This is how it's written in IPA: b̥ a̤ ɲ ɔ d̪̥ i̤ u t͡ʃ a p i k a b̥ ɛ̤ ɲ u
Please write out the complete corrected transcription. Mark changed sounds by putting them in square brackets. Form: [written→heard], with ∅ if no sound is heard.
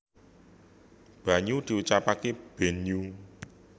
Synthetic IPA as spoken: b̥ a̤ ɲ [ɔ→u] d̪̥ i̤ u t͡ʃ a p [i→a] k [a→e] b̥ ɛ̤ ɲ u